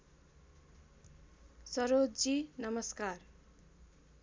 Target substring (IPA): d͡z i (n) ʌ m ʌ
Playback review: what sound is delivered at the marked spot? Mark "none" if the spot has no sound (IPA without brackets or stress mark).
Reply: n